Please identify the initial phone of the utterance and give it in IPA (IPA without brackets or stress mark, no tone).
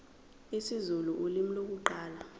i